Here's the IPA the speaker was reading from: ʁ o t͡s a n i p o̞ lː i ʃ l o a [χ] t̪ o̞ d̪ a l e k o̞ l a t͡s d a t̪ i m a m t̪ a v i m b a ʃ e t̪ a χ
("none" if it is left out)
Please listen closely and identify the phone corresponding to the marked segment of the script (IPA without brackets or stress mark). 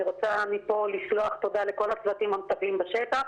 χ